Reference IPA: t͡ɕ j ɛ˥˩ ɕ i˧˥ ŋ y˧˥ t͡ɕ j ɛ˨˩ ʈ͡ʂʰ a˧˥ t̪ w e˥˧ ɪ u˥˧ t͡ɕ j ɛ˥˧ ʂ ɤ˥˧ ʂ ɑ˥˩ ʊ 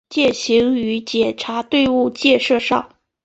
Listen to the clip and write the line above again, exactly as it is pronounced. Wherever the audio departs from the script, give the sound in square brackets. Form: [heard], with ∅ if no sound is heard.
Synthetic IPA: t͡ɕ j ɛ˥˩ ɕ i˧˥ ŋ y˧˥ t͡ɕ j ɛ˨˩ ʈ͡ʂʰ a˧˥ t̪ w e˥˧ ɪ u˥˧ t͡ɕ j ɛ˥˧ ʂ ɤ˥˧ ʂ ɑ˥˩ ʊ